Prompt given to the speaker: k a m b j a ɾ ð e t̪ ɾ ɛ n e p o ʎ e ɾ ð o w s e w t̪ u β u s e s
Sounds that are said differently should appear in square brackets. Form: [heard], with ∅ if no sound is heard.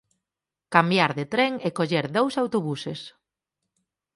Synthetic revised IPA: k a m b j a ɾ ð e t̪ ɾ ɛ [ŋ] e [k] o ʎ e ɾ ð o w s [a] w t̪ [o] β u s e s